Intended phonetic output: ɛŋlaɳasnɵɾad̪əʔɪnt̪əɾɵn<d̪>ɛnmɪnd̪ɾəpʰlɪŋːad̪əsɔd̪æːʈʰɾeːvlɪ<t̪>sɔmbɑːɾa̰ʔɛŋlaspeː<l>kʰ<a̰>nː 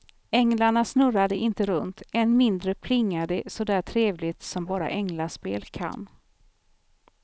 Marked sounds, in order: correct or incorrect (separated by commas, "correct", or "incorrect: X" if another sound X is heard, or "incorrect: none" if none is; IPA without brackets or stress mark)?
incorrect: t̪, correct, correct, correct